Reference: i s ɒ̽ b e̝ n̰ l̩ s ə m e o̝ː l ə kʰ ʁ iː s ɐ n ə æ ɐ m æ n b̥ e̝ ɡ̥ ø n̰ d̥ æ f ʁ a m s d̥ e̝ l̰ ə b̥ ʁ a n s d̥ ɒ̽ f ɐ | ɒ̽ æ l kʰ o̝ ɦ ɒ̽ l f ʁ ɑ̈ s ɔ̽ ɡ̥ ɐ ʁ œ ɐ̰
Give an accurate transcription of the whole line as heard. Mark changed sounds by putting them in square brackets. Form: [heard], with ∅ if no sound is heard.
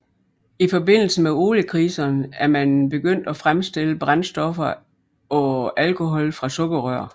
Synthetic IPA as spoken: i [f] ɒ̽ b e̝ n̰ l̩ s ə m e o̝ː l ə kʰ ʁ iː s ɐ n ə æ ɐ m æ n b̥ e̝ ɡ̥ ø n̰ d̥ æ f ʁ a m s d̥ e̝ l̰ ə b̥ ʁ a n s d̥ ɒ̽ f ɐ | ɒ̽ æ l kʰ o̝ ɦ ɒ̽ l f ʁ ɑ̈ s ɔ̽ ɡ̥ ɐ ʁ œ ɐ̰

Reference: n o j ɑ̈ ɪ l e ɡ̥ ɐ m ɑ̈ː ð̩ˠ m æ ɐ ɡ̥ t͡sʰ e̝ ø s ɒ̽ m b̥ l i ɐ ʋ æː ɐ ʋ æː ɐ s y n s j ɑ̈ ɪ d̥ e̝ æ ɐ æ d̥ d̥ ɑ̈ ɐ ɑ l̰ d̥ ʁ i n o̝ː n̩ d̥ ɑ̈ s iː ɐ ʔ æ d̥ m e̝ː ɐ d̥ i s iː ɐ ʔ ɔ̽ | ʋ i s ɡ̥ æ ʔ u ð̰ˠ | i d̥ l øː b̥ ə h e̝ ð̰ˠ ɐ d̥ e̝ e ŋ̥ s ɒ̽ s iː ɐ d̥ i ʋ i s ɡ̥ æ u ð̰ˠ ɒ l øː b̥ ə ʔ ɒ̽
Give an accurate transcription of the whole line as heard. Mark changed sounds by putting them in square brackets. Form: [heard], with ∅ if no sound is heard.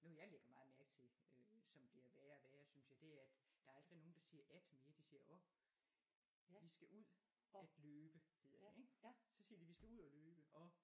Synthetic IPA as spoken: n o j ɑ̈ ɪ l e ɡ̥ ɐ m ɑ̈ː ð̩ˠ m æ ɐ ɡ̥ t͡sʰ e̝ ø s ɒ̽ m b̥ l i ɐ ʋ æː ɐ ʋ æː ɐ s y n s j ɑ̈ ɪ d̥ e̝ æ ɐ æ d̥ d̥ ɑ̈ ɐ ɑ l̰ d̥ ʁ i n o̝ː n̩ d̥ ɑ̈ s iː ɐ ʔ æ d̥ m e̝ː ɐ d̥ i s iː ɐ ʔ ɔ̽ | ʋ i s ɡ̥ æ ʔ u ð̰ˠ | [æ] d̥ l øː b̥ ə h e̝ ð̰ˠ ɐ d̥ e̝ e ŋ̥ s ɒ̽ s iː ɐ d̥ i ʋ i s ɡ̥ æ u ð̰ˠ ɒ l øː b̥ ə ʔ ɒ̽

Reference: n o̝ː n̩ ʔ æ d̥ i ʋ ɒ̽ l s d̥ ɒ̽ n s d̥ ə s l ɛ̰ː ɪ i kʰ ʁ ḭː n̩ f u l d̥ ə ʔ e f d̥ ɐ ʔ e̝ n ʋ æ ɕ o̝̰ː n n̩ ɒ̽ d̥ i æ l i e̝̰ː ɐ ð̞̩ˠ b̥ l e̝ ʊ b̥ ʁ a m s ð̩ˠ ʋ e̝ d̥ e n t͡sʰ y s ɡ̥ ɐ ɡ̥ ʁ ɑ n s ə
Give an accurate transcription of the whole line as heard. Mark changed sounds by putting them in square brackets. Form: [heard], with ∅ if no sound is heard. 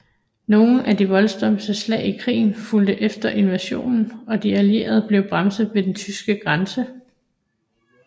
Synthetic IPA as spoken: n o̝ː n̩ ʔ æ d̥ i ʋ ɒ̽ l s d̥ ɒ̽ [m] s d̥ ə s l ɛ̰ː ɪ i kʰ ʁ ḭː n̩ f u l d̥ ə ʔ e f d̥ ɐ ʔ e̝ n ʋ æ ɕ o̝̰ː n n̩ ɒ̽ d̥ i æ l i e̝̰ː ɐ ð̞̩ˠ b̥ l e̝ ʊ b̥ ʁ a m s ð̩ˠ ʋ e̝ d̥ e n t͡sʰ y s ɡ̥ [ə] ɡ̥ ʁ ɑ n s ə

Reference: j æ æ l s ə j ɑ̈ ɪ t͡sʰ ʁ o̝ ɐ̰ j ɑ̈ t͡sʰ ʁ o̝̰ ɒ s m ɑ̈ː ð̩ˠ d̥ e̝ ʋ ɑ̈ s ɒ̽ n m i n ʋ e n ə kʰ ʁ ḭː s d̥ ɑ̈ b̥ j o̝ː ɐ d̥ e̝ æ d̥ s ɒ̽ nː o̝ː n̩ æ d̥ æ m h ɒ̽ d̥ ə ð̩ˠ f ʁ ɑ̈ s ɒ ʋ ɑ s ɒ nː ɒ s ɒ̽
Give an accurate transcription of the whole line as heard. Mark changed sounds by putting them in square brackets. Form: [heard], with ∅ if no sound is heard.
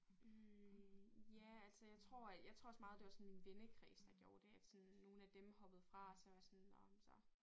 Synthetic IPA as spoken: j æ æ l s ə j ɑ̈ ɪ t͡sʰ ʁ o̝ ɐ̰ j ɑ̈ t͡sʰ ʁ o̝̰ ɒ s m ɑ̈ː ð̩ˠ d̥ e̝ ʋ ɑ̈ s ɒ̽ n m i n ʋ e n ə kʰ ʁ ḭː s d̥ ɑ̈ [ɡ̥] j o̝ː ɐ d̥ e̝ æ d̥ s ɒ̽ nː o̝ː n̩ æ d̥ [e] m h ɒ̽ [b̥] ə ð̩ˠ f ʁ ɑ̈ s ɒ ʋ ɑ s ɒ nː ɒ s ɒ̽

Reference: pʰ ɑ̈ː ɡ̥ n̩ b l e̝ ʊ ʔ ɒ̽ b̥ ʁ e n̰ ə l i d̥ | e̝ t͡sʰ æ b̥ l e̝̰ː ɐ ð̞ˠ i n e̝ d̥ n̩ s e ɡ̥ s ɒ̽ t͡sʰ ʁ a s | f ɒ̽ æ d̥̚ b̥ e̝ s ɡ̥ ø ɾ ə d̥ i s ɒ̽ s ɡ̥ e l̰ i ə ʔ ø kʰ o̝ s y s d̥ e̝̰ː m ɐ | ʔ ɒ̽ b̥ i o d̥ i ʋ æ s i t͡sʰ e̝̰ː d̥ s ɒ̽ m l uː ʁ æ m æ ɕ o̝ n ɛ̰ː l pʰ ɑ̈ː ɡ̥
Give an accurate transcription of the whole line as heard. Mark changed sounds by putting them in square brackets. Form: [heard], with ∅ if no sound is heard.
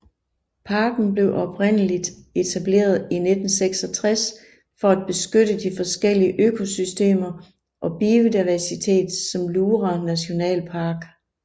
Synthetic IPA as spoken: pʰ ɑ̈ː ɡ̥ n̩ b l e̝ ʊ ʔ ɒ̽ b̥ ʁ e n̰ ə l i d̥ | e̝ t͡sʰ æ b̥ l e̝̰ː ɐ ð̞ˠ i n e̝ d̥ n̩ s e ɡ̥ s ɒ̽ t͡sʰ ʁ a s | f ɒ̽ æ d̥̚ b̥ e̝ s ɡ̥ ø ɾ ə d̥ i [f] ɒ̽ s ɡ̥ e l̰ i ə ʔ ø kʰ o̝ s y s d̥ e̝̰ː m ɐ | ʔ ɒ̽ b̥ i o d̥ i ʋ æ s i t͡sʰ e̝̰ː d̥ s ɒ̽ m l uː ʁ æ [n] æ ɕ o̝ n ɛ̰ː l pʰ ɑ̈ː ɡ̥

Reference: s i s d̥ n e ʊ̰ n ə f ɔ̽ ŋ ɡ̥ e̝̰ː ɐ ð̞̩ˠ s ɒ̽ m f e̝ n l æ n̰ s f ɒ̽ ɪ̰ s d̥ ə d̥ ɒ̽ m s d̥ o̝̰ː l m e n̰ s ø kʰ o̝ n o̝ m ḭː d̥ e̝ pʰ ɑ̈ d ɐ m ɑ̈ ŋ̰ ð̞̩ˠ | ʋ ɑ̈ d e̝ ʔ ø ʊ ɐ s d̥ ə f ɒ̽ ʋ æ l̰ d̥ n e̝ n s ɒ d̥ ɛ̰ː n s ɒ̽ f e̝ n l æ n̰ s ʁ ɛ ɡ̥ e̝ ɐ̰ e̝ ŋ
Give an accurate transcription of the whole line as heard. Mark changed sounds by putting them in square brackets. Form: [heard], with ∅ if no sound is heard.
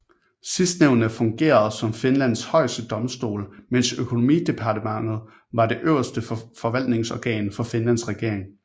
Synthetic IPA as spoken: s i s d̥ n e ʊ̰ n ə f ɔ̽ ŋ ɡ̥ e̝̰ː ɐ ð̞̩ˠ s ɒ̽ m f e̝ n l æ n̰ s [h] ɒ̽ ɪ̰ s d̥ ə d̥ ɒ̽ m s d̥ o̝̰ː l m e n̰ s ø kʰ o̝ n o̝ m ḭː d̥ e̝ pʰ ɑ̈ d [ə] m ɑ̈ ŋ̰ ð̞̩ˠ | ʋ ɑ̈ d e̝ ʔ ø ʊ ɐ s d̥ ə f ɒ̽ ʋ æ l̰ d̥ n e̝ [ŋ] s ɒ [ɡ̥] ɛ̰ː n [f] ɒ̽ f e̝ n l æ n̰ s ʁ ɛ ɡ̥ e̝ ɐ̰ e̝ ŋ

